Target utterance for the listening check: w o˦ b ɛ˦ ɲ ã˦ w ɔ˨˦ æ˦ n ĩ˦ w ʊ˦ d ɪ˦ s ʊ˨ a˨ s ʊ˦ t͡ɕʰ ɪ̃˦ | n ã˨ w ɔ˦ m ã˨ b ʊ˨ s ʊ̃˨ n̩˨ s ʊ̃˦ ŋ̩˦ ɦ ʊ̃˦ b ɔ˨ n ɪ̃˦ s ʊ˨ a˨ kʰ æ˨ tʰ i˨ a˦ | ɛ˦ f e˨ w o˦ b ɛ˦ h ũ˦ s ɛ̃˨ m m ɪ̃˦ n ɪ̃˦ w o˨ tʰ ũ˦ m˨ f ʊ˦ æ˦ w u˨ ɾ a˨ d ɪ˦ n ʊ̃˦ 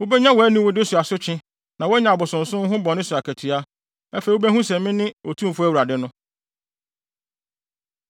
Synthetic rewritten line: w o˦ b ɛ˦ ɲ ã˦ w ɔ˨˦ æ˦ n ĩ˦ w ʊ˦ d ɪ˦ s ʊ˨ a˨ s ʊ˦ t͡ɕʰ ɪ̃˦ | n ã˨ w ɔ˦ ɲ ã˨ b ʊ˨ s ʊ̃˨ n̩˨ s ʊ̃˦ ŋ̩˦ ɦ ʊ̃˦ b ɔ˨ n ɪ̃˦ s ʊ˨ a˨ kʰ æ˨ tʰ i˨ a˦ | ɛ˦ f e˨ w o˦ b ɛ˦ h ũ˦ s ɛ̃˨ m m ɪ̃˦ n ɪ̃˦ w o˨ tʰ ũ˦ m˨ f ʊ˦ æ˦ w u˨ ɾ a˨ d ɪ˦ n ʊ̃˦